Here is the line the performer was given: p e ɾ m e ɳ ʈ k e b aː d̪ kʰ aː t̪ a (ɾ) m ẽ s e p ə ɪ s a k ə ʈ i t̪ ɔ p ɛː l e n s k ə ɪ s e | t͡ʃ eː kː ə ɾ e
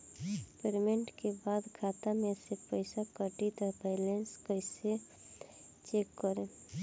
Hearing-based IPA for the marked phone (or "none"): none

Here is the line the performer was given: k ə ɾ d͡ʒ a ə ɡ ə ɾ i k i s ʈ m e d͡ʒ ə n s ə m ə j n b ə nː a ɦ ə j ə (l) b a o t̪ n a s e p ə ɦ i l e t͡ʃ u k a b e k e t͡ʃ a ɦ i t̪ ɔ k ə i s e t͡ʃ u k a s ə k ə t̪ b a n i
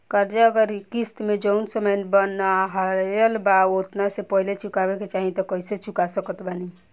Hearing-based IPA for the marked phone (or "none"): l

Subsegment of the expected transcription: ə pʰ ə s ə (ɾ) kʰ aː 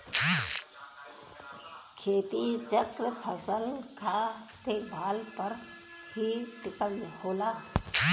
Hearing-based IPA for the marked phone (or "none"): l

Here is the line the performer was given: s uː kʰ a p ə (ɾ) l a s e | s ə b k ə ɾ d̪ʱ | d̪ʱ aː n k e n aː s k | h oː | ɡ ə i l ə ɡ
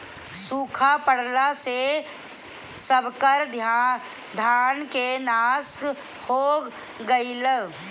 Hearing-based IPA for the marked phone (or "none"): ɽ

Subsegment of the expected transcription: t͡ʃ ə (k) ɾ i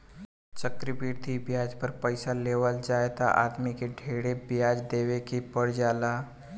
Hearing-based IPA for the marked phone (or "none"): k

